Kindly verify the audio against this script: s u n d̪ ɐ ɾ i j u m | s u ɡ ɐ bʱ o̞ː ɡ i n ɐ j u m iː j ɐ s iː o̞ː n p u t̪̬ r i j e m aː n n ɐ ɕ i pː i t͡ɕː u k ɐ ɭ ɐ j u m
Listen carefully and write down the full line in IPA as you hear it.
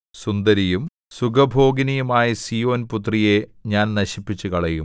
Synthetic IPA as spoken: s u n d̪ ɐ ɾ i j u m | s u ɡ ɐ bʱ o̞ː ɡ i n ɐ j u m aː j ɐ s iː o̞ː n p u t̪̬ r i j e ɲ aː n n ɐ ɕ i pː i t͡ɕː u k ɐ ɭ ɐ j u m